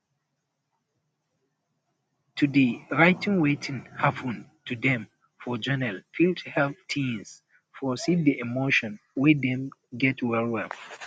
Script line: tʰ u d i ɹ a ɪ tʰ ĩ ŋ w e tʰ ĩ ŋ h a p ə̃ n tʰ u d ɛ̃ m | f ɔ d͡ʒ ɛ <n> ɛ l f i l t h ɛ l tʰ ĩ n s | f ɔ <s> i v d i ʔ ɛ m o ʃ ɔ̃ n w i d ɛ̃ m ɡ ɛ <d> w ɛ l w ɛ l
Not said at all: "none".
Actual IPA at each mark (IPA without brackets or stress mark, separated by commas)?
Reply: n, s, t